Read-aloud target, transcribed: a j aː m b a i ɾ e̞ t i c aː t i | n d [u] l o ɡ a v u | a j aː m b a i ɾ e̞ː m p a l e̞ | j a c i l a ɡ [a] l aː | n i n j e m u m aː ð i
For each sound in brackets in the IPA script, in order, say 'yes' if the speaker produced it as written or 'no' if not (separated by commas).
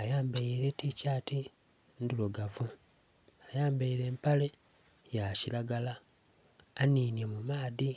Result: yes, yes